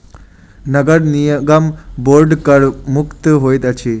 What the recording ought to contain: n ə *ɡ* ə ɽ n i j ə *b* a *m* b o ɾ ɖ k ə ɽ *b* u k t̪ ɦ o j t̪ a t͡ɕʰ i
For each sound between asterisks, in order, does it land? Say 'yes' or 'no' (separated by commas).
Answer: yes, no, yes, no